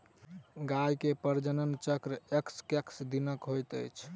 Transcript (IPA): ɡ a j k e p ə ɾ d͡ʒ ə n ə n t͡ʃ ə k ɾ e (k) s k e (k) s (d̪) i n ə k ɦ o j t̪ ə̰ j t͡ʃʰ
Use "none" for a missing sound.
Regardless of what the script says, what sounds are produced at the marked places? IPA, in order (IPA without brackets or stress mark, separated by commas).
k, k, d̪